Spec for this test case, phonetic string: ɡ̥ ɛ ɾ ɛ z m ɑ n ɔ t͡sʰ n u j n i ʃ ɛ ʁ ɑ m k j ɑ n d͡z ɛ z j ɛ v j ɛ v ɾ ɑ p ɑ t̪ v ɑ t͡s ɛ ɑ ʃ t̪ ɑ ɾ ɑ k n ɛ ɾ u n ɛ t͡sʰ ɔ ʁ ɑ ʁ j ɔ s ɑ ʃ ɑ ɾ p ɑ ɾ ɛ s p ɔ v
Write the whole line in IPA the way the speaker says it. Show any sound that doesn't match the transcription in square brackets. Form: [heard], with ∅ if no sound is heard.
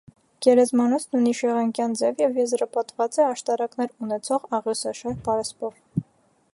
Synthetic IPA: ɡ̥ ɛ ɾ ɛ z m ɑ n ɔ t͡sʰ n u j n i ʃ ɛ ʁ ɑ [ŋ] k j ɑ n d͡z ɛ [v] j ɛ v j ɛ [z] ɾ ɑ p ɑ t̪ v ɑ t͡s ɛ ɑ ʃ t̪ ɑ ɾ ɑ k n ɛ ɾ u n ɛ t͡sʰ ɔ ʁ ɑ ʁ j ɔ s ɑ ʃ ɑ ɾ p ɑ ɾ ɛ s p ɔ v